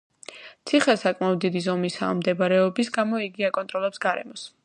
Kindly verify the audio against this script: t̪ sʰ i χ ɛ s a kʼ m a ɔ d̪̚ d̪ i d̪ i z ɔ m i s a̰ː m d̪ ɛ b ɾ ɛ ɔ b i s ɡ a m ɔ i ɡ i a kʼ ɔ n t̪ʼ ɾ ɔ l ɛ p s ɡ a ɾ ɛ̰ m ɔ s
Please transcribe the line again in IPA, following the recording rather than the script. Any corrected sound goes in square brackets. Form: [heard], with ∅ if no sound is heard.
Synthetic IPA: t̪ sʰ i χ ɛ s a kʼ m a ɔ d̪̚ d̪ i d̪ i z ɔ m i s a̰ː m d̪ ɛ b ɾ ɛ ɔ b i s ɡ a m ɔ i ɡ i a kʼ ɔ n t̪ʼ ɾ ɔ l ɛ p s ɡ a ɾ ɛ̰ m ɔ s